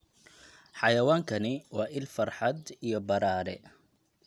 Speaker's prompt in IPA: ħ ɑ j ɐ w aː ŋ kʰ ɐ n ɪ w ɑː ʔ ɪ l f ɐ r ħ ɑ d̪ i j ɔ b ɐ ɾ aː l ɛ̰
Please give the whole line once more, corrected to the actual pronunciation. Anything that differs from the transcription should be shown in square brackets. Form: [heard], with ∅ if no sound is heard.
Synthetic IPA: ħ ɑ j ɐ w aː ŋ kʰ ɐ n ɪ w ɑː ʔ ɪ l f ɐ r ħ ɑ d̪ i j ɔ b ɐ ɾ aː [ɾ] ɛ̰